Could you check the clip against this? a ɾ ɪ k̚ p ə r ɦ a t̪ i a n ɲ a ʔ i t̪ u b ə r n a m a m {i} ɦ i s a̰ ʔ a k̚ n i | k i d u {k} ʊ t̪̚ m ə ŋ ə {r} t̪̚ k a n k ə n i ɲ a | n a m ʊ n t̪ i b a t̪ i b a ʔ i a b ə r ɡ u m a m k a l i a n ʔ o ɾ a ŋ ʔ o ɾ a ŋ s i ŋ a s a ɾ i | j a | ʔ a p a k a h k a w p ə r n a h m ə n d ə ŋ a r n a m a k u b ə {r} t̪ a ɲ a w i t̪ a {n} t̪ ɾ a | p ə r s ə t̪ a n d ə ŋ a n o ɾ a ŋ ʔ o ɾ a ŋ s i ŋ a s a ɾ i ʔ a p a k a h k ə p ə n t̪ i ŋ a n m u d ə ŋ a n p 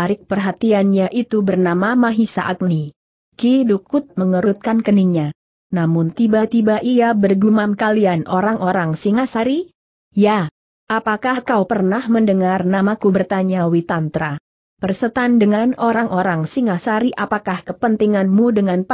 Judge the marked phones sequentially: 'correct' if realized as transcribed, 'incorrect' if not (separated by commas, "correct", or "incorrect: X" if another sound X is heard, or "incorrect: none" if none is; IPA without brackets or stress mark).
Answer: incorrect: a, correct, incorrect: ɾ, correct, correct